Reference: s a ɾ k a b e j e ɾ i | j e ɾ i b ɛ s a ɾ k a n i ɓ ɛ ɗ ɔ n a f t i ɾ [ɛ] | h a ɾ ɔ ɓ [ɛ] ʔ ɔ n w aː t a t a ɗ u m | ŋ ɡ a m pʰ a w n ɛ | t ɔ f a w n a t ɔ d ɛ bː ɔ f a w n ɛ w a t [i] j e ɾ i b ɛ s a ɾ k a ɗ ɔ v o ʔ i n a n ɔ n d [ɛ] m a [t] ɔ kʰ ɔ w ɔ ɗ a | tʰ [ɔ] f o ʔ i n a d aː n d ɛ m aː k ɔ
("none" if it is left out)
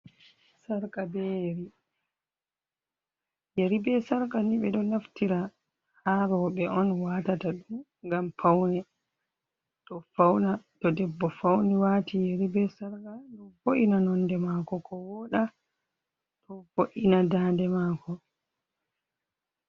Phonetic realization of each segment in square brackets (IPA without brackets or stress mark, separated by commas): a, ɛ, i, ɛ, k, ɔ